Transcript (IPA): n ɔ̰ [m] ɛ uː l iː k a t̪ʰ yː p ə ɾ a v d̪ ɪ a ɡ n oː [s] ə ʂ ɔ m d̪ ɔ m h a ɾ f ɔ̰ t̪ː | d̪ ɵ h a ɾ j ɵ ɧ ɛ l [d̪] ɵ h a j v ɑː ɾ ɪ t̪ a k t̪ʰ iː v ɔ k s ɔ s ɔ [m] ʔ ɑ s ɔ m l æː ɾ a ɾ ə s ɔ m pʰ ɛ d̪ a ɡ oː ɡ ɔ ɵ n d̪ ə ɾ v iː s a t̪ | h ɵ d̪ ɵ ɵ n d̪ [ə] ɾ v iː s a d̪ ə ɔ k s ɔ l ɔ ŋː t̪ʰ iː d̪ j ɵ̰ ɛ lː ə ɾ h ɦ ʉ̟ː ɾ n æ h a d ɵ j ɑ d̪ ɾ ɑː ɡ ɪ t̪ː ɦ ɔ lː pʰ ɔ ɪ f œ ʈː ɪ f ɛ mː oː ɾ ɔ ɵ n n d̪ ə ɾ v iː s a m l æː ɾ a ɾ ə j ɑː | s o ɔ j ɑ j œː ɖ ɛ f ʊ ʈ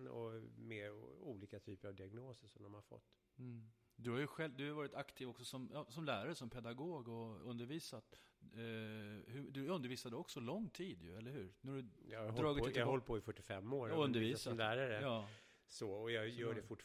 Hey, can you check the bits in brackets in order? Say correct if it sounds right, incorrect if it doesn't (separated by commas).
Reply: correct, correct, correct, correct, correct